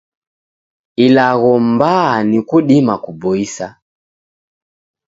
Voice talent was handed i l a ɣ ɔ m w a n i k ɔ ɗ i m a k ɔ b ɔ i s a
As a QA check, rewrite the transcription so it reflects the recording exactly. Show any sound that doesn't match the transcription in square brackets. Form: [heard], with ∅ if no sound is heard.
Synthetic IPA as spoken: i l a ɣ ɔ m [b] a n i k [u] ɗ i m a k [u] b ɔ i s a